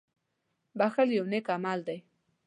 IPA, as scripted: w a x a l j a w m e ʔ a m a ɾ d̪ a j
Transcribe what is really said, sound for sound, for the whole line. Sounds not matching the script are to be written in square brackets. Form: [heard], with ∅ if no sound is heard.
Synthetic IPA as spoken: [b] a x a l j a w [n] e [k] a m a [l] d̪ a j